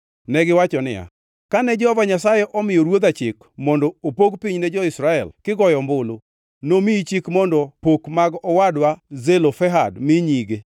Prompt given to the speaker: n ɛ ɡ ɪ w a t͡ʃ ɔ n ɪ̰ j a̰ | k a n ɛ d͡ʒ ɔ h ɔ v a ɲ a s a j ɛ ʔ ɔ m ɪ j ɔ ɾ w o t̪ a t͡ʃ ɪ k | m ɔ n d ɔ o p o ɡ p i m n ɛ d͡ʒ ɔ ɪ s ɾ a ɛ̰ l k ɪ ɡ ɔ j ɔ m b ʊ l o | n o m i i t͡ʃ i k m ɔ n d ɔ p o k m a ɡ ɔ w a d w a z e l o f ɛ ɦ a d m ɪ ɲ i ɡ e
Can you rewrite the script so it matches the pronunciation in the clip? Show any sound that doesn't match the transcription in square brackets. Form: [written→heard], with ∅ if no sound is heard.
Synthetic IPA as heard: n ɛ ɡ ɪ w a t͡ʃ ɔ n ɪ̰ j a̰ | k a n ɛ d͡ʒ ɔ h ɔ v a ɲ a s a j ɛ ʔ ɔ m ɪ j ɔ ɾ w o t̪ a t͡ʃ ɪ k | m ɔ n d ɔ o p o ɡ p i [m→ɲ] n ɛ d͡ʒ ɔ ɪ s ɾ a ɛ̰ l k ɪ ɡ ɔ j ɔ m b ʊ l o | n o m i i t͡ʃ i k m ɔ n d ɔ p o k m a ɡ ɔ w a d w a z e l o f ɛ ɦ a d m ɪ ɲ i ɡ e